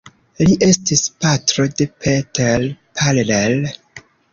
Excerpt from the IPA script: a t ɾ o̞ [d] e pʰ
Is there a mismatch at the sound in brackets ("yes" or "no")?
no